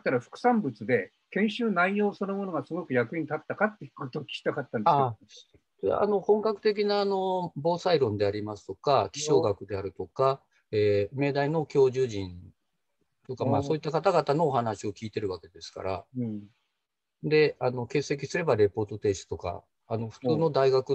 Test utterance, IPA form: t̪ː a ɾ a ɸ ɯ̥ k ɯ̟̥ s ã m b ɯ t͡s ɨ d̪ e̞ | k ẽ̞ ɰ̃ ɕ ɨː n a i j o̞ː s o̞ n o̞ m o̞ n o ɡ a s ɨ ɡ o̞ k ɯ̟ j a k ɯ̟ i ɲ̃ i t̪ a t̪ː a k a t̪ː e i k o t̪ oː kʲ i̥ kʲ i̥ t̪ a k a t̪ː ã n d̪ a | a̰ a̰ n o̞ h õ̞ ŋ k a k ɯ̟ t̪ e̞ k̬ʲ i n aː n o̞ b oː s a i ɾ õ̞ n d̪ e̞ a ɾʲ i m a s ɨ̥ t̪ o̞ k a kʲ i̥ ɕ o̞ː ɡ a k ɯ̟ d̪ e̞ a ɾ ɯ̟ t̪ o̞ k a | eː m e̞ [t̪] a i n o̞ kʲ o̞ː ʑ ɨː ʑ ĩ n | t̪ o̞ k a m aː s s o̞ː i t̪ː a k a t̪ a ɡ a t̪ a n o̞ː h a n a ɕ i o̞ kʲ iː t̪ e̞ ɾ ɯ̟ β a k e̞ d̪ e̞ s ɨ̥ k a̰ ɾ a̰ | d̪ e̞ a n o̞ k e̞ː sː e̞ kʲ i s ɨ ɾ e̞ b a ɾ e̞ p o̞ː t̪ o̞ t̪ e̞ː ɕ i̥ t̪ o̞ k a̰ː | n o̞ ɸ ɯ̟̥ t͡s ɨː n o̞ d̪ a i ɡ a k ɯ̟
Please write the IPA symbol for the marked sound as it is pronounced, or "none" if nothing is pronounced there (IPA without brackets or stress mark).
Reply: d̪